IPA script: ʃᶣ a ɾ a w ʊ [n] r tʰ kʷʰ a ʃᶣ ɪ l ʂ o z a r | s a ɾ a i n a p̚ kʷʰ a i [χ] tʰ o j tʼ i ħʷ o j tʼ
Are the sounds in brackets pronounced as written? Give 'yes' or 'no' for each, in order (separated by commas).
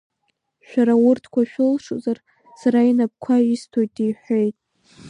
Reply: no, no